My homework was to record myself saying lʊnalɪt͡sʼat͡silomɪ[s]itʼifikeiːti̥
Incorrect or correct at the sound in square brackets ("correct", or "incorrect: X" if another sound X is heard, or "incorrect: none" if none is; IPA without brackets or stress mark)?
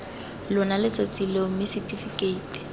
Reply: correct